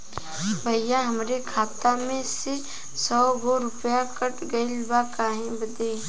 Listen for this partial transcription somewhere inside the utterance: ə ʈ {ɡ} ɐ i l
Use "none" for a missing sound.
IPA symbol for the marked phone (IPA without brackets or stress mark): ɡ